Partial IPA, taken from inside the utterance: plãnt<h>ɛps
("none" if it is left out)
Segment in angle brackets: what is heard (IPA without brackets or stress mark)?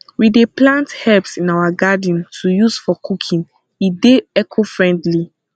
h